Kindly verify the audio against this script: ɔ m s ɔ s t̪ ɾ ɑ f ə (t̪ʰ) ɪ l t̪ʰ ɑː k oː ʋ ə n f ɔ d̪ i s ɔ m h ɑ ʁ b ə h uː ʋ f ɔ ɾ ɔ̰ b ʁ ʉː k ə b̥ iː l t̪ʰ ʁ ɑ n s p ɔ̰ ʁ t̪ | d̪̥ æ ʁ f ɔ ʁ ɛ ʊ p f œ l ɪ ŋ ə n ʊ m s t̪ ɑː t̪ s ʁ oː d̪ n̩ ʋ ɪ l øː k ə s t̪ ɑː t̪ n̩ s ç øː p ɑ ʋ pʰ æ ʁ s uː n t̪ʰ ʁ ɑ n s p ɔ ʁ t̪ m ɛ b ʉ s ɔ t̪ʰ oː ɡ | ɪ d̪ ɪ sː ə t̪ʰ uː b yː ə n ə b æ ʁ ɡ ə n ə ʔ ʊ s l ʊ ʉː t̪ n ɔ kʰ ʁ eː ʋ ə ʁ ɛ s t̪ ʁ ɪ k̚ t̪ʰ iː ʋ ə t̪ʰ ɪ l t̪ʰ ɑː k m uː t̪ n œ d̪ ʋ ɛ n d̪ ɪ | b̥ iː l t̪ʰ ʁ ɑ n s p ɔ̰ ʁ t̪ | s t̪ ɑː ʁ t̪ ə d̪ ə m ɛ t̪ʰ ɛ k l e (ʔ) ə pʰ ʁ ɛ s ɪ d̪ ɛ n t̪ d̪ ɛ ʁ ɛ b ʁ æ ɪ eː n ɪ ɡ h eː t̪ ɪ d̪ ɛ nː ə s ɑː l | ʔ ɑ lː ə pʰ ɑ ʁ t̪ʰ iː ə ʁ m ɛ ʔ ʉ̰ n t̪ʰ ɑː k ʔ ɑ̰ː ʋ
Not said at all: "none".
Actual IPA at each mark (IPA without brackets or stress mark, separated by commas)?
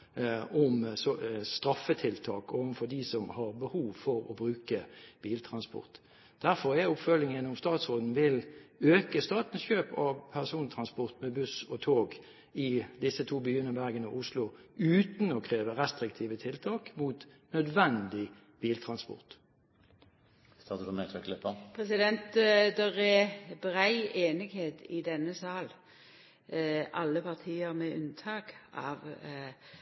t̪ʰ, p